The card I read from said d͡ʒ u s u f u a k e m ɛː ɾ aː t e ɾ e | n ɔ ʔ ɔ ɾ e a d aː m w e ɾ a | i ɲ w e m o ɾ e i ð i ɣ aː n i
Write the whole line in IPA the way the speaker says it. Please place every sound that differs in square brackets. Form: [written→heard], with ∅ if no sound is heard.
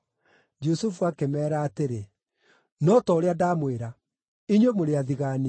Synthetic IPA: d͡ʒ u s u f u a k e m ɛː ɾ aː t e ɾ e | n ɔ [ʔ→t] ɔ ɾ e a d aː m w e ɾ a | i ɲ w e m o ɾ e [i→a] ð i ɣ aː n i